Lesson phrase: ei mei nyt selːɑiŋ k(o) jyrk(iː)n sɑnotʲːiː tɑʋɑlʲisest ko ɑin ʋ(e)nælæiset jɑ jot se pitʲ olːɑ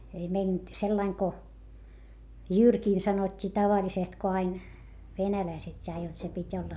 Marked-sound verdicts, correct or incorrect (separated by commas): correct, correct, correct